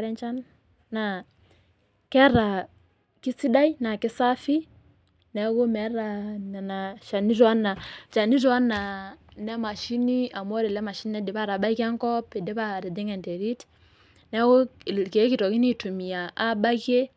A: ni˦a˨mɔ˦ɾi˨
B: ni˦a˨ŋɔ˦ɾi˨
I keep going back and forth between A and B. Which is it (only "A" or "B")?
A